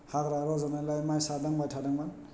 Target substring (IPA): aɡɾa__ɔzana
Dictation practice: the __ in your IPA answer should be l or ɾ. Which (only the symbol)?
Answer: ɾ